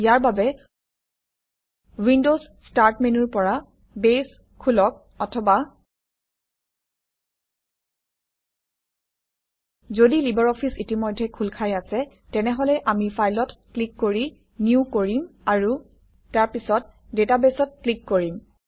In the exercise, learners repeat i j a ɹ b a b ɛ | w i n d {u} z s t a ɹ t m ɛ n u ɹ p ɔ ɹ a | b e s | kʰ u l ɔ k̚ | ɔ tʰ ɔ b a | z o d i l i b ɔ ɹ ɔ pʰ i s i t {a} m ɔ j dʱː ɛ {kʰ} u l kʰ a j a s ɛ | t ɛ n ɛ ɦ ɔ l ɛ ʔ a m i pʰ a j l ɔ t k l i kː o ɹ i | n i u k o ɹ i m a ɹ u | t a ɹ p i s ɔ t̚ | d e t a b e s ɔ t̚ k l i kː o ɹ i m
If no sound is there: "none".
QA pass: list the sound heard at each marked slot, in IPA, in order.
o, i, kʰ

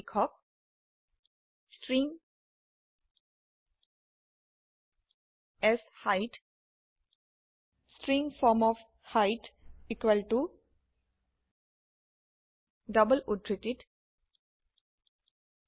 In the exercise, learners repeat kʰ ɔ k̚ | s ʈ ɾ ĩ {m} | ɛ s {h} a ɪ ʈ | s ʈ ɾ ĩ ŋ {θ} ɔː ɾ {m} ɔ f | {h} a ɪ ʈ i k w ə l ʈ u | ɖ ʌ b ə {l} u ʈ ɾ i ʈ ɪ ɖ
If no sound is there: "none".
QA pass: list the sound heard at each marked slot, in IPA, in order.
ŋ, h, f, m, h, l

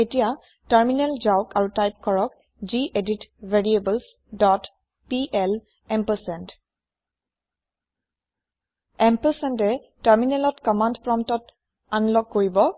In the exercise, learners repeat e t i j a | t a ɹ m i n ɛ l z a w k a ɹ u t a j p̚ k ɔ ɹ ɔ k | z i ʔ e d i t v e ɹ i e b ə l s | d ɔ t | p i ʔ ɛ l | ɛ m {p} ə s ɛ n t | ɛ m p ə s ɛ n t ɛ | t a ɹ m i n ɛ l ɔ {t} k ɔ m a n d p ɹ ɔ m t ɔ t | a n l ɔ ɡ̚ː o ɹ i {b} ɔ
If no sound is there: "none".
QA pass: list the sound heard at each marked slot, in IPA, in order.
p, t, b

